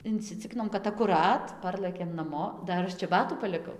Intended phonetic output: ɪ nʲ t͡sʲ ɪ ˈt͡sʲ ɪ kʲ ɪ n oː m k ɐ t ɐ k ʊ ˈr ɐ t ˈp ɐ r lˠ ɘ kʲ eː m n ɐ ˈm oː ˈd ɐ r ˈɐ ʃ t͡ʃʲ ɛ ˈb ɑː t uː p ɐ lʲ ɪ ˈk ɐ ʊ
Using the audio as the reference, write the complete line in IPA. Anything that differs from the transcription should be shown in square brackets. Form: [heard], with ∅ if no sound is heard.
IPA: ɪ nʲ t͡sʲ ɪ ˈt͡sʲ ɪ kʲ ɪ n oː m k ɐ t ɐ k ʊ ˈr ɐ t ˈp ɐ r lˠ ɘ kʲ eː m n ɐ ˈm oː ˈd ɐ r ˈɐ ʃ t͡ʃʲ ɛ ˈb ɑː t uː p ɐ lʲ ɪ ˈk ɐ ʊ